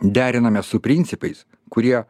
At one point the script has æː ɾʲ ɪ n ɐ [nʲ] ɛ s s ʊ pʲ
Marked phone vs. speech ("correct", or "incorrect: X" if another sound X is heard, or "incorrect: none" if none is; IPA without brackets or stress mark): incorrect: mʲ